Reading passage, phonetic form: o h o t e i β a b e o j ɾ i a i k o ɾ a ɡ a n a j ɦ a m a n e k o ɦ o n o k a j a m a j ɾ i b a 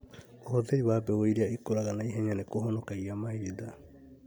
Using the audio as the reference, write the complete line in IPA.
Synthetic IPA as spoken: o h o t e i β a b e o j ɾ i a i k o ɾ a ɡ a n a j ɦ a ɲ a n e k o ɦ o n o k a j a m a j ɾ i d a